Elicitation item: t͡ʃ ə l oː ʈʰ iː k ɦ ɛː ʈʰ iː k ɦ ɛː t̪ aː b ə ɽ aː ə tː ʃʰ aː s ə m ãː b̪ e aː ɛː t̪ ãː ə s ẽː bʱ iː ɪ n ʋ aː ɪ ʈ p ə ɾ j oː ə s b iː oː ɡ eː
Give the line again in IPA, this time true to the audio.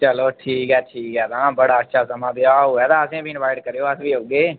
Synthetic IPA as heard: t͡ʃ ə l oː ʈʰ iː k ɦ ɛː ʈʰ iː k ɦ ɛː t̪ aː b ə ɽ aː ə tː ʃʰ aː s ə m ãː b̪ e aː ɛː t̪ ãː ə s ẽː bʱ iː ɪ n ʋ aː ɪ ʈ k ə ɾ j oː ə s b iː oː ɡ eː